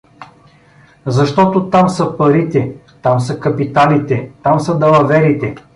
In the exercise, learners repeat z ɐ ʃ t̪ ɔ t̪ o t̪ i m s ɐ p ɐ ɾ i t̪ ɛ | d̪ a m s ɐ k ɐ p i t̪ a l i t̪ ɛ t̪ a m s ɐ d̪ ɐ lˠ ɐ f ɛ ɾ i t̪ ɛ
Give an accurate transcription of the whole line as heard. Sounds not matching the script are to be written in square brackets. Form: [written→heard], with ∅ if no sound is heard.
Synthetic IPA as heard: z ɐ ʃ t̪ ɔ t̪ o t̪ [i→a] m s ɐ p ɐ ɾ i t̪ ɛ | [d̪→t̪] a m s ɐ k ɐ p i t̪ a l i t̪ ɛ t̪ a m s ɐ d̪ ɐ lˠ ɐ [f→v] ɛ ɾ i t̪ ɛ